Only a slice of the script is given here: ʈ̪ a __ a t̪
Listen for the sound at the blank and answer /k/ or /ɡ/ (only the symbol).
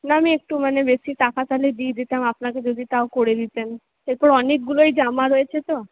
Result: k